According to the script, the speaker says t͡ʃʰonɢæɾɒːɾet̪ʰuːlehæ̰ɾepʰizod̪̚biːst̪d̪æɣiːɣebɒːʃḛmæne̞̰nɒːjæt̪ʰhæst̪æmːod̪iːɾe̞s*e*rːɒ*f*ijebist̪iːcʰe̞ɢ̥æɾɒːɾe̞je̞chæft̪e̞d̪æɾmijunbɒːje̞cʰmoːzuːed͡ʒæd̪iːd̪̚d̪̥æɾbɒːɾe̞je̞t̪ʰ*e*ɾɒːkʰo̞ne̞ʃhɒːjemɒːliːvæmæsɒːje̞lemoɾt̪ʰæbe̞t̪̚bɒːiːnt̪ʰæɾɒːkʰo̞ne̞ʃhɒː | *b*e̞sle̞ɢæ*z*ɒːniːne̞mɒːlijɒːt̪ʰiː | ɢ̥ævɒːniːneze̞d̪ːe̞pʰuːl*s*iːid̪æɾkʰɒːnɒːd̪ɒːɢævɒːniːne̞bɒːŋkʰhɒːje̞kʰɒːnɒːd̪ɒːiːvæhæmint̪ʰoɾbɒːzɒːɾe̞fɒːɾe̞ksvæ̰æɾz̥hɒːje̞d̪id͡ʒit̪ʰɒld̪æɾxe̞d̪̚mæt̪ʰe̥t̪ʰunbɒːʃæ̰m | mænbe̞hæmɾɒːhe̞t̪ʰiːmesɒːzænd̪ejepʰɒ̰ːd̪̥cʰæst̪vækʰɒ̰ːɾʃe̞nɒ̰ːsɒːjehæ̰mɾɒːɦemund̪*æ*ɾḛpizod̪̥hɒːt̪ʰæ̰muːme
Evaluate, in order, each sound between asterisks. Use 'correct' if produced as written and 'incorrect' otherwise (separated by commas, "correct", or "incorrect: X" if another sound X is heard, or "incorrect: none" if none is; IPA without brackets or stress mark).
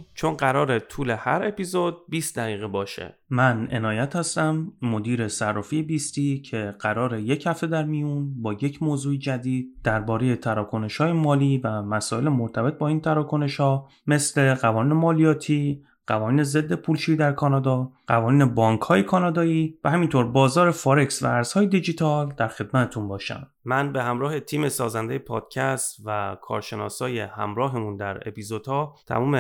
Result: incorrect: æ, correct, incorrect: æ, incorrect: m, incorrect: v, incorrect: ʃ, correct